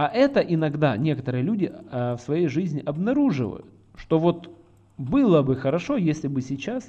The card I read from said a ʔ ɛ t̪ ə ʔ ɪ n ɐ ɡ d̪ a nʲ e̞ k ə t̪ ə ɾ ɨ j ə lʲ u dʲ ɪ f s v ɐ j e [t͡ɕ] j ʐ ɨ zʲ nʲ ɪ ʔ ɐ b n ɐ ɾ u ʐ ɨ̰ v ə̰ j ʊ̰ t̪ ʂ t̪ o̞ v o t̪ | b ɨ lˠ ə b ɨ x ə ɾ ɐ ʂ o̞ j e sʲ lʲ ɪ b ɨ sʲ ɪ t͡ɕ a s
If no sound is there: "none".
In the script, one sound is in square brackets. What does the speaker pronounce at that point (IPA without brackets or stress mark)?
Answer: none